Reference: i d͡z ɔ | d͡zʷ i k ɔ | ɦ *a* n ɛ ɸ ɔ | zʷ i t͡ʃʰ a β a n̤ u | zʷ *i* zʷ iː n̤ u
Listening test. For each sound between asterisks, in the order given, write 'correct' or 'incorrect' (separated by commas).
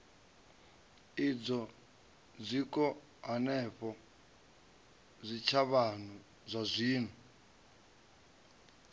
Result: correct, incorrect